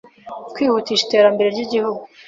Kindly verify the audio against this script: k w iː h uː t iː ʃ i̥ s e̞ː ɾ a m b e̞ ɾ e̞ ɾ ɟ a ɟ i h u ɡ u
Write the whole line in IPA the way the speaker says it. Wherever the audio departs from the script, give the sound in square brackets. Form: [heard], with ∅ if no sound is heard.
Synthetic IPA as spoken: k w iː h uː t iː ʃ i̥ [t] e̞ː ɾ a m b e̞ ɾ e̞ ɾ ɟ [i] ɟ i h u ɡ u

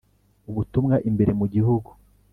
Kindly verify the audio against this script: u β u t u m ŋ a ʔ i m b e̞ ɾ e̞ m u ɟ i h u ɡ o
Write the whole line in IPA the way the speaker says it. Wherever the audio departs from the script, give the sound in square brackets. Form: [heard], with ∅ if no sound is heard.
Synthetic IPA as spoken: u β u t u m ŋ a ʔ i m b e̞ ɾ e̞ m u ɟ i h u ɡ [u]

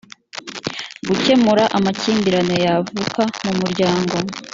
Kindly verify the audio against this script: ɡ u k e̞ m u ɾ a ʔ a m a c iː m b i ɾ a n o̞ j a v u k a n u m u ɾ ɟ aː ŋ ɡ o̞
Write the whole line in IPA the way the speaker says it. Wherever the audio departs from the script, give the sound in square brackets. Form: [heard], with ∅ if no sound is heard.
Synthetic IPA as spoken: ɡ u [c] e̞ m u ɾ a ʔ a m a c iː m b i ɾ a n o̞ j a v u k a [m] u m u ɾ ɟ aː ŋ ɡ o̞

